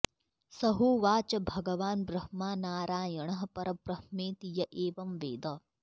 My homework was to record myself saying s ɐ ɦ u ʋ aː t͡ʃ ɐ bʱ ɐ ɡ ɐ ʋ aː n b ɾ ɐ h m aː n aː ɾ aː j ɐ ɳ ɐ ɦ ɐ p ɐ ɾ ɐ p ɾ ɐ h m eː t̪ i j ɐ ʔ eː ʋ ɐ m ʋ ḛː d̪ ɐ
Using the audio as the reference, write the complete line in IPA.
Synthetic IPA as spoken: s ɐ ɦ u ʋ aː t͡ʃ ɐ bʱ ɐ ɡ ɐ ʋ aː n b ɾ ɐ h m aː n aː ɾ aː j ɐ ɳ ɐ ɦ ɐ p ɐ ɾ ɐ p ɾ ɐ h m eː t̪ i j ɐ ʔ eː ʋ ɐ m ʋ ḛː d̪ ɐ